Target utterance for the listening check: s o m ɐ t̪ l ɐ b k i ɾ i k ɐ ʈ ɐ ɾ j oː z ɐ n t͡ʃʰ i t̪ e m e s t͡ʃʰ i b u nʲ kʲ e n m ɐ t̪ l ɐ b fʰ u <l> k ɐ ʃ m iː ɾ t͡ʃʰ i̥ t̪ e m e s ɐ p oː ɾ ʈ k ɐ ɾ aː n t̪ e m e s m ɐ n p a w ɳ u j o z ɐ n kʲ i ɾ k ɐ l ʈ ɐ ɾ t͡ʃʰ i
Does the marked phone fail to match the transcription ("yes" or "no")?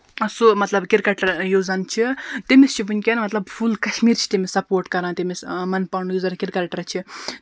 no